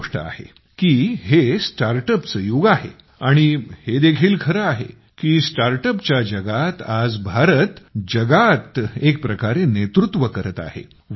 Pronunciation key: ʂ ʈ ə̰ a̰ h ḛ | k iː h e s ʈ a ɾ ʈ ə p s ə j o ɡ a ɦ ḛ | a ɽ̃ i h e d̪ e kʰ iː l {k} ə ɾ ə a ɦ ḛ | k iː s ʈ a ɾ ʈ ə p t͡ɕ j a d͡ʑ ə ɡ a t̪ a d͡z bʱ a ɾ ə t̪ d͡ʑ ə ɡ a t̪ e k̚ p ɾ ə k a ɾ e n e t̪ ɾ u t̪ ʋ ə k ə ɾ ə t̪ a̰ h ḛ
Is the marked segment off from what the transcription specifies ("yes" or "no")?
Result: yes